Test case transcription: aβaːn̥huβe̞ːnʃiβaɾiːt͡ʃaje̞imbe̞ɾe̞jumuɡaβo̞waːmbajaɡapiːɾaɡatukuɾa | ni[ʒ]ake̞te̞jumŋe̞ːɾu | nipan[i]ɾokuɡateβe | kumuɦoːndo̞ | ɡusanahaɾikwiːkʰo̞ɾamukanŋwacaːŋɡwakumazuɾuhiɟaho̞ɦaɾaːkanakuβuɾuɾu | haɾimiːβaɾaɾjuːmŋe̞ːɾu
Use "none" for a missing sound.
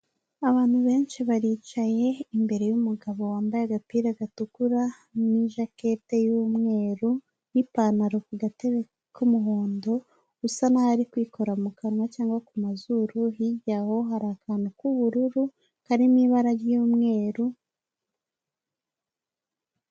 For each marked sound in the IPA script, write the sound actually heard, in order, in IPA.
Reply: ʒ, a

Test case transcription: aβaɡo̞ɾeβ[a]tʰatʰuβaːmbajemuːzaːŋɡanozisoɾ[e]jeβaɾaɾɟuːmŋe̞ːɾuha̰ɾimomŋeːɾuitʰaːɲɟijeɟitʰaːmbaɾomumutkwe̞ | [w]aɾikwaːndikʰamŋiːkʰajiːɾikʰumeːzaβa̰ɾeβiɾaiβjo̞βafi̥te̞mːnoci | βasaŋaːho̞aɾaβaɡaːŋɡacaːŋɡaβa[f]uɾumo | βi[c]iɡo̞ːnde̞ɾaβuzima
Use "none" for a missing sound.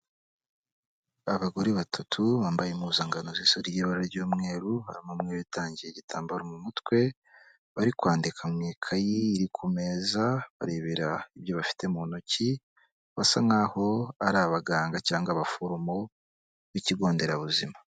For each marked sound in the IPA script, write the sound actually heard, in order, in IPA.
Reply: a, i, β, f, c

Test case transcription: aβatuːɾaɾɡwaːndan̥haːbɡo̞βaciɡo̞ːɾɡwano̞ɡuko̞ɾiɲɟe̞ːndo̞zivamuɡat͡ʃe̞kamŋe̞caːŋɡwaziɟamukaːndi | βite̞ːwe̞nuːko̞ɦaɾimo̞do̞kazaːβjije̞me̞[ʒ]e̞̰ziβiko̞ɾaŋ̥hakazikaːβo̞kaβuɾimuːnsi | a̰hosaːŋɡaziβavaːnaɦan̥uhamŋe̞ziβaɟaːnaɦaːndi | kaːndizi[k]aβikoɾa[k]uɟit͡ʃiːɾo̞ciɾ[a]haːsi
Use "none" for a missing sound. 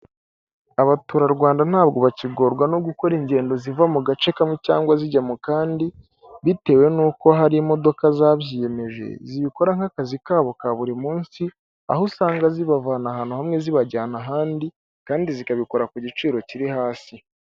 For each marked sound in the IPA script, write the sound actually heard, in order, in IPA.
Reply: ʒ, k, k, i

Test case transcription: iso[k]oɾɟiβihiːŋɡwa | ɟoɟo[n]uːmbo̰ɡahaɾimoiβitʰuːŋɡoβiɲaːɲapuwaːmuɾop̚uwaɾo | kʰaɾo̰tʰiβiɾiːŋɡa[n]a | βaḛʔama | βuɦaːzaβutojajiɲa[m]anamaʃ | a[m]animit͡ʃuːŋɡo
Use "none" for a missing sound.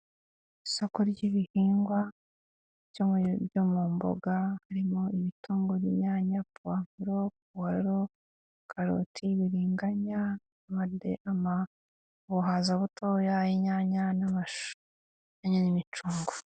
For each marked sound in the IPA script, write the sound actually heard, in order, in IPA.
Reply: k, m, ɲ, ɲ, ɲ

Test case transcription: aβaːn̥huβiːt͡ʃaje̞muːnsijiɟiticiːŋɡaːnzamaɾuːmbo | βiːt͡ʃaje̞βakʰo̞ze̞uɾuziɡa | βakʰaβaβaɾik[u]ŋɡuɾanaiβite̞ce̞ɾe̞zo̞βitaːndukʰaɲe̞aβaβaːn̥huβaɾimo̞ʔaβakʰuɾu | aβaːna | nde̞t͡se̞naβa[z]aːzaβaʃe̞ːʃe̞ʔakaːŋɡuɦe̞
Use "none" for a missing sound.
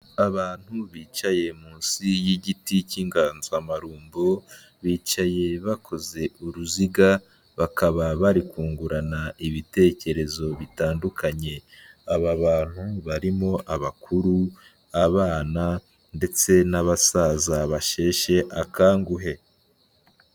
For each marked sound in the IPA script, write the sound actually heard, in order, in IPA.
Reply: uː, s

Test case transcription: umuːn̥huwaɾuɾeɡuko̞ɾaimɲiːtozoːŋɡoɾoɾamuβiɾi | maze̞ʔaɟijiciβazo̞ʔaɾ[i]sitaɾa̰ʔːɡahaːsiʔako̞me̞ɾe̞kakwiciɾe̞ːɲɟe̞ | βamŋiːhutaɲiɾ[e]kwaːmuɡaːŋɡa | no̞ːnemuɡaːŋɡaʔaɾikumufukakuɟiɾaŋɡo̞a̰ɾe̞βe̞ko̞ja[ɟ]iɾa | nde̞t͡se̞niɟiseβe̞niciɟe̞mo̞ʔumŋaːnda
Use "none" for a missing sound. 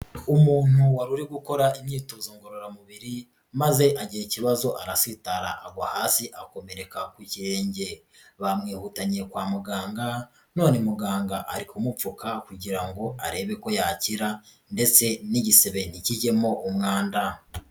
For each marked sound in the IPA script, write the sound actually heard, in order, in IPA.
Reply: a, e, c

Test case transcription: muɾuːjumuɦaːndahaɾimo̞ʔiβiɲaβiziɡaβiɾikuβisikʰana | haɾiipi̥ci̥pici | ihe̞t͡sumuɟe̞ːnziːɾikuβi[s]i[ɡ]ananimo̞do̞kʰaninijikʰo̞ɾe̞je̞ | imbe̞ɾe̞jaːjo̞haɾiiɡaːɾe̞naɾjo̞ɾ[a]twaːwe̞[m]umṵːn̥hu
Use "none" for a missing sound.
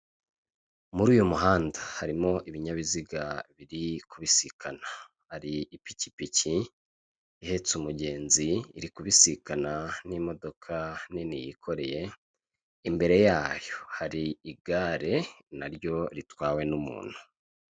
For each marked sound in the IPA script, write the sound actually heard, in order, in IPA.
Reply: s, k, i, n

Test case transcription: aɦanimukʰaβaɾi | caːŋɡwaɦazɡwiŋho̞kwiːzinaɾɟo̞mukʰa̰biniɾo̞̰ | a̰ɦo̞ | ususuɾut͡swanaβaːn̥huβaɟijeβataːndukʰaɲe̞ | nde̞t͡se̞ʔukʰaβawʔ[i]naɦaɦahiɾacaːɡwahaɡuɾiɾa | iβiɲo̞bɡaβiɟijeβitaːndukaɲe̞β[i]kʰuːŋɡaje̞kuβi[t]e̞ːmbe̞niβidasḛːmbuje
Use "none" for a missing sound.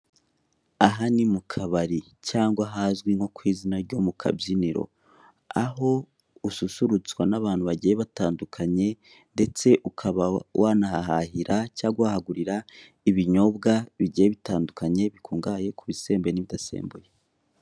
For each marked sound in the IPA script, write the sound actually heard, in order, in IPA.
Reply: a, i, s

